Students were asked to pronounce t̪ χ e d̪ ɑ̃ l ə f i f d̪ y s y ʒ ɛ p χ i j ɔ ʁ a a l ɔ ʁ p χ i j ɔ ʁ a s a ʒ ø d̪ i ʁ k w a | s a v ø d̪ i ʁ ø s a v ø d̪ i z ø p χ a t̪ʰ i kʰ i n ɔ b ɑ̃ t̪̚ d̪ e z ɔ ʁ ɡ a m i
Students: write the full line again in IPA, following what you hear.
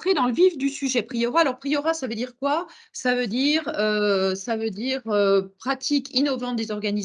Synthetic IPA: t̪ χ e d̪ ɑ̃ l ə v i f d̪ y s y ʒ ɛ p χ i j ɔ ʁ a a l ɔ ʁ p χ i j ɔ ʁ a s a v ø d̪ i ʁ k w a | s a v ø d̪ i ʁ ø s a v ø d̪ i ʁ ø p χ a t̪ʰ i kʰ i n ɔ v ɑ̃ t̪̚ d̪ e z ɔ ʁ ɡ a n i